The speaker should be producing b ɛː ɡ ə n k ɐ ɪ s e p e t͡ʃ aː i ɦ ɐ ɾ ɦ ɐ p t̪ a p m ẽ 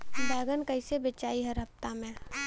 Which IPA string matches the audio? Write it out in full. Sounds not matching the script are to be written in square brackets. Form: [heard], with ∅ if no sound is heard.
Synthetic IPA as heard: b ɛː ɡ ə n k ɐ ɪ s e [b] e t͡ʃ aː i ɦ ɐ ɾ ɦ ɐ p t̪ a [∅] m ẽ

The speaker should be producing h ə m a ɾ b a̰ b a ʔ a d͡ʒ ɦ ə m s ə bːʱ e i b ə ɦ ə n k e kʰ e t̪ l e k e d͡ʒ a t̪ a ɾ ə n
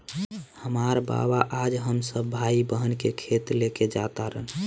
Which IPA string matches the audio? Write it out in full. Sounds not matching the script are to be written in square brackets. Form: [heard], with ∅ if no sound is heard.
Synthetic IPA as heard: h ə m a ɾ b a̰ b a ʔ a d͡ʒ ɦ ə m s ə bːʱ [a] i b ə ɦ ə n k e kʰ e t̪ l e k e d͡ʒ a t̪ a ɾ ə n

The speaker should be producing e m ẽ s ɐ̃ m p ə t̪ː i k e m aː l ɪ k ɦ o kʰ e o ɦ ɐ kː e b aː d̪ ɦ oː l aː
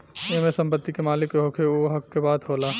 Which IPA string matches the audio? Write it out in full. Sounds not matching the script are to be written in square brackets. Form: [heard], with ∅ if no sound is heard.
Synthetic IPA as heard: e m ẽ s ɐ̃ m p ə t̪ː i k e m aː l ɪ k ɦ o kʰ e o ɦ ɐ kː e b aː d̪ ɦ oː l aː

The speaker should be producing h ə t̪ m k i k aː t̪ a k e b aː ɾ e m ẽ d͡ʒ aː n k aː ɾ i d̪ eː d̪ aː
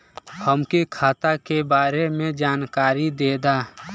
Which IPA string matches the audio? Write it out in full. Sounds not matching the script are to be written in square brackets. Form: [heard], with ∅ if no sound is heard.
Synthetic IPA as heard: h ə [∅] m k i [kʰ] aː t̪ a k e b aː ɾ e m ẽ d͡ʒ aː n k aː ɾ i d̪ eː d̪ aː

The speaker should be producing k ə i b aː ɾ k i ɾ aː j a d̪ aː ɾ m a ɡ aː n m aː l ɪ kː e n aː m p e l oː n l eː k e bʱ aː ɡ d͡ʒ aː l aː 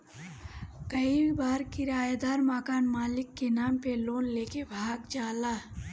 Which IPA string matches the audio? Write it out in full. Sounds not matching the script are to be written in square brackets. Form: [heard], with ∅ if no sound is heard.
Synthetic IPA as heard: k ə i b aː ɾ k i ɾ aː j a d̪ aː ɾ m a [k] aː n m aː l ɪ kː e n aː m p e l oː n l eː k e bʱ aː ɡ d͡ʒ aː l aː

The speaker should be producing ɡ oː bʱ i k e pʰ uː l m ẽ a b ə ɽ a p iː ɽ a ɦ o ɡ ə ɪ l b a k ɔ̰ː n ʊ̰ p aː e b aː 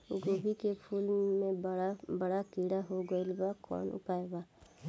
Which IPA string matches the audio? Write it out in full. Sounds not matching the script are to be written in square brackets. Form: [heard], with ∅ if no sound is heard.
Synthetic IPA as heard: ɡ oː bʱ i k e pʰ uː l m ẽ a b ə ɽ a [k] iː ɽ a ɦ o ɡ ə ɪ l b a k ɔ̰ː n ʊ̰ p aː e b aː

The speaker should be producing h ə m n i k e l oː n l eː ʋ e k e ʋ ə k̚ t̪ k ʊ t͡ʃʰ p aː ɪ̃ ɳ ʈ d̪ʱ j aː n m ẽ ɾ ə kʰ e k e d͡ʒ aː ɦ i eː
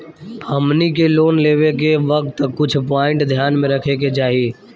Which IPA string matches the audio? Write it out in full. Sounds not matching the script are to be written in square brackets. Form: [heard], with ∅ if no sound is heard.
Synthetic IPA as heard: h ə m n i k e l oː n l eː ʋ e k e ʋ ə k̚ t̪ k ʊ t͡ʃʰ p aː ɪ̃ ɳ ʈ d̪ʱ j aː n m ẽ ɾ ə kʰ e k e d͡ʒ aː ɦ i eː

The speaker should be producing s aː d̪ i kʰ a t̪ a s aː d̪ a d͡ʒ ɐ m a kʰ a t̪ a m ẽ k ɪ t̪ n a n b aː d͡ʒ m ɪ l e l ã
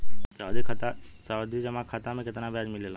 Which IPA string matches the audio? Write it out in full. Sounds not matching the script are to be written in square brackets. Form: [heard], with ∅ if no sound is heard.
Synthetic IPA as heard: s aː d̪ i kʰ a t̪ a s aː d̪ [i] d͡ʒ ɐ m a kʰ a t̪ a m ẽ k ɪ t̪ n a [∅] b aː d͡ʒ m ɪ l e l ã

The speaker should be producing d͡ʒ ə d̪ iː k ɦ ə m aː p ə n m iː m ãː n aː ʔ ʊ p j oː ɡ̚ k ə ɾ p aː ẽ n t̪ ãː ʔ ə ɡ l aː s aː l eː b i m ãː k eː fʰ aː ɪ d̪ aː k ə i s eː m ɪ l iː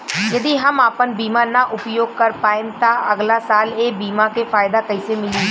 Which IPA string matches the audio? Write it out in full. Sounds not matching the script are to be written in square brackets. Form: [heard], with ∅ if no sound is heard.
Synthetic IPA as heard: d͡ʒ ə d̪ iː [∅] ɦ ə m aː p ə n [b] iː m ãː n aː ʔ ʊ p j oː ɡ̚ k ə ɾ p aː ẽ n t̪ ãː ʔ ə ɡ l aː s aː l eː b [iː] m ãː k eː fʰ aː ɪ d̪ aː k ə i s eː m ɪ l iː

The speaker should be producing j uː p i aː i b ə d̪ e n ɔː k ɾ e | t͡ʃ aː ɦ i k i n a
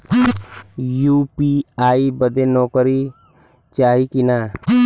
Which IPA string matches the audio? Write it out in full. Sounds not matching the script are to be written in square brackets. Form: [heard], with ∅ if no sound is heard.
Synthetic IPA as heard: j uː p i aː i b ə d̪ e n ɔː k ɾ [i] | t͡ʃ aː ɦ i k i n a

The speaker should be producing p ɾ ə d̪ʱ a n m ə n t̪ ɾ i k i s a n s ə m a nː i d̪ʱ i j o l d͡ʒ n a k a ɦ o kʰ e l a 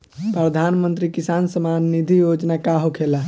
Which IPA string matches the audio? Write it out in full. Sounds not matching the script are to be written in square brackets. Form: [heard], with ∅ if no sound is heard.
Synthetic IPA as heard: p ɾ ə d̪ʱ a n m ə n t̪ ɾ i k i s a n s ə m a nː i d̪ʱ i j o [∅] d͡ʒ n a k a ɦ o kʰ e l a

